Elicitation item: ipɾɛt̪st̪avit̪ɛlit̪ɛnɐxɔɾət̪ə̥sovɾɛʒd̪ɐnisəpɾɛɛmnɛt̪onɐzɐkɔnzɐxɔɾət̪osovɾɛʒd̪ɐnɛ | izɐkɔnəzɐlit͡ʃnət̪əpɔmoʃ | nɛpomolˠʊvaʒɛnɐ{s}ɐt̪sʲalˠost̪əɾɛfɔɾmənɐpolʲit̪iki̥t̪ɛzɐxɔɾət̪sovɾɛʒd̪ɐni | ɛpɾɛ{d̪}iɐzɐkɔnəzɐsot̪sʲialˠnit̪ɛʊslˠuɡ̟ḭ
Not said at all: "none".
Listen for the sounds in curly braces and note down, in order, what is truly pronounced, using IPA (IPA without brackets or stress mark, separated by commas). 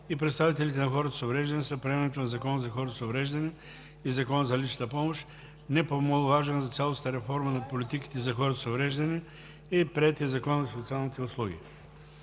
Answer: z, t̪